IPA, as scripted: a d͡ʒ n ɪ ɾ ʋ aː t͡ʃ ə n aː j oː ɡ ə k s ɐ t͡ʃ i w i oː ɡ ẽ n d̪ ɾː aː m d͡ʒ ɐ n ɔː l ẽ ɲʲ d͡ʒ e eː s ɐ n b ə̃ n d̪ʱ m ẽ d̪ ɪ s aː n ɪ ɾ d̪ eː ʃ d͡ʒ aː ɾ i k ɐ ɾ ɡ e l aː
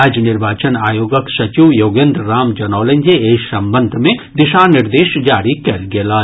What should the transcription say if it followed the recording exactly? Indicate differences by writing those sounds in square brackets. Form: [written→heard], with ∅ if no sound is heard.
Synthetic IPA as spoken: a d͡ʒ n ɪ ɾ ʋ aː t͡ʃ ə n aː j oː ɡ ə k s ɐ t͡ʃ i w [i→j] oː ɡ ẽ n d̪ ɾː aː m d͡ʒ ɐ n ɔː l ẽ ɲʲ d͡ʒ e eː s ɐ [n→m] b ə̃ n d̪ʱ m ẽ d̪ ɪ [s→ʃ] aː n ɪ ɾ d̪ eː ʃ d͡ʒ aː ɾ i k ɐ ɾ ɡ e l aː